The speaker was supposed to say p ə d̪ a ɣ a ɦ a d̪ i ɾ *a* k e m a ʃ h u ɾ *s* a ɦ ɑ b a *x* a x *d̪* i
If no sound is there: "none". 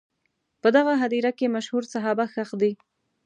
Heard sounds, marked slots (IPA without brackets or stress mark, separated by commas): a, s, x, d̪